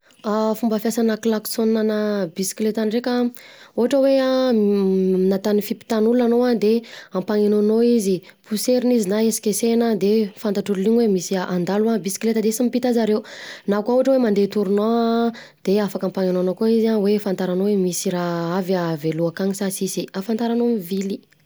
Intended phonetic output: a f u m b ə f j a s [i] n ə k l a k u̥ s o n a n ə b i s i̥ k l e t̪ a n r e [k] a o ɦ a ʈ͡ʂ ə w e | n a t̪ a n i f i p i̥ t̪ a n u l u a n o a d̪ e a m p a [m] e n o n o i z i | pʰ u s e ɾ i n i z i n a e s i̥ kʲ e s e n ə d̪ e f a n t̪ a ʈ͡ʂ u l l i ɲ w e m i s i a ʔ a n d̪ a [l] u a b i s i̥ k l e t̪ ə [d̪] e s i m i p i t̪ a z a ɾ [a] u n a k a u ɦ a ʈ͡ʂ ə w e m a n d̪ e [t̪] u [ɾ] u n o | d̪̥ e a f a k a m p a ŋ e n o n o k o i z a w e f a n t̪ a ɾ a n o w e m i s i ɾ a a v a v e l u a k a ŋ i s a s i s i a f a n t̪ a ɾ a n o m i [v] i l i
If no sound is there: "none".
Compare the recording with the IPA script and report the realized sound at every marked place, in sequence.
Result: a, k, ŋ, l, d̪, e, t̪, ɾ, v

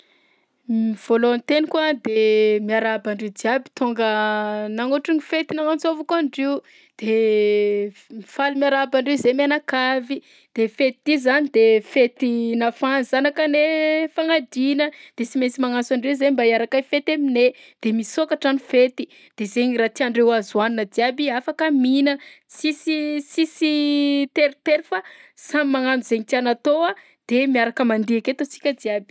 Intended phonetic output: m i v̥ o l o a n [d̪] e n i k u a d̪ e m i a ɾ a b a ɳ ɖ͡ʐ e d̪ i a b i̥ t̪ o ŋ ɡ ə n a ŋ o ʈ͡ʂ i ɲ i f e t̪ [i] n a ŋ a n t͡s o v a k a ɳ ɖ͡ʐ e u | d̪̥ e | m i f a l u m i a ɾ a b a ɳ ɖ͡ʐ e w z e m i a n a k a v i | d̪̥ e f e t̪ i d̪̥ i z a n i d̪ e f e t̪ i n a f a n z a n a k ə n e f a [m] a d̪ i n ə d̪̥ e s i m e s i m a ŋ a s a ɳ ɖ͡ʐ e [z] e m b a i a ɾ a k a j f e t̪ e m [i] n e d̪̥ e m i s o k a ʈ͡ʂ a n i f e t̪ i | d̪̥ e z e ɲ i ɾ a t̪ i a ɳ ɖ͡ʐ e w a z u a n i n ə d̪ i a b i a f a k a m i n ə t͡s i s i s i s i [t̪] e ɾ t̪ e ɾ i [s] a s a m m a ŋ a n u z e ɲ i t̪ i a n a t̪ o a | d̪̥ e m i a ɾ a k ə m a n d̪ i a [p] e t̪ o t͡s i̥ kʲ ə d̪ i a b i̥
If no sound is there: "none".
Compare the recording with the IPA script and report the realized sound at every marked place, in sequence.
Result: t̪, i, ŋ, z, i, t̪, f, k

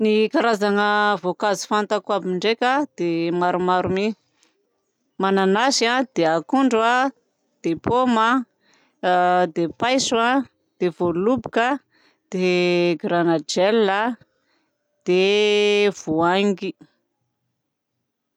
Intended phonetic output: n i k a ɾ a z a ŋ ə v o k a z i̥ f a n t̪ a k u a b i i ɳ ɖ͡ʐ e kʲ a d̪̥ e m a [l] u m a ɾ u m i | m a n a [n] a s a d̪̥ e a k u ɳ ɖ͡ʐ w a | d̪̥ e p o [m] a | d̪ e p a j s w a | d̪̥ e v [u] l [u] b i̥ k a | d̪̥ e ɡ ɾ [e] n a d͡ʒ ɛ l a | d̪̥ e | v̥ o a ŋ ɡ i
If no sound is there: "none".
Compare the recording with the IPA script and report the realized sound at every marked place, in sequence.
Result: ɾ, n, m, o, u, a

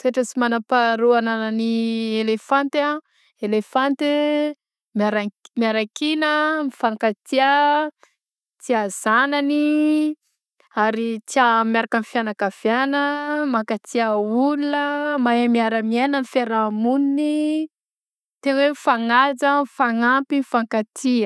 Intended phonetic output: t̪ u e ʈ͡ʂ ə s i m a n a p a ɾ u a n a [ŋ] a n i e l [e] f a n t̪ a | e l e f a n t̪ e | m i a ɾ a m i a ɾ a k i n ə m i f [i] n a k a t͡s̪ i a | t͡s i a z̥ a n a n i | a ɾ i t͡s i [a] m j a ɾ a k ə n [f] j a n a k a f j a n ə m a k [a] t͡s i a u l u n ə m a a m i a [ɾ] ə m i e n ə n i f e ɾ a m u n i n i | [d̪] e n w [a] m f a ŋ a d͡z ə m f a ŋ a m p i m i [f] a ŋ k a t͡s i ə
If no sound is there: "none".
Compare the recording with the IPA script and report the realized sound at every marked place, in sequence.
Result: n, e, a, a, f, a, ɾ, t̪, e, f

